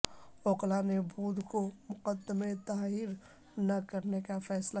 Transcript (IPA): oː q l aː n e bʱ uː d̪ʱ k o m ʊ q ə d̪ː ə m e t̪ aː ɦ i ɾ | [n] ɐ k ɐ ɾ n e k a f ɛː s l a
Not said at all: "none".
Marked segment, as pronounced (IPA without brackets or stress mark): n